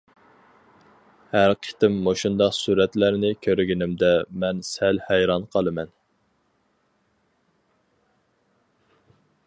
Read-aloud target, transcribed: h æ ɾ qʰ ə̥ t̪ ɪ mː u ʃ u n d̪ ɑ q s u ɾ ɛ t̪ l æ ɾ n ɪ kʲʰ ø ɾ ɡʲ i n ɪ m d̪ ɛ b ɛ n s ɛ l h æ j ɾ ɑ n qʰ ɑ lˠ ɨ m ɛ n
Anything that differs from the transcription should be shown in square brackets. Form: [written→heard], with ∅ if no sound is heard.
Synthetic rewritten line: h æ ɾ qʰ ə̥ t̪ ɪ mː [u→o] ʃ u n d̪ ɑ q s u ɾ ɛ t̪ l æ ɾ n ɪ kʲʰ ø ɾ ɡʲ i n ɪ m d̪ ɛ [b→m] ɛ n s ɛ l h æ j ɾ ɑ n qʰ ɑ lˠ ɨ m ɛ n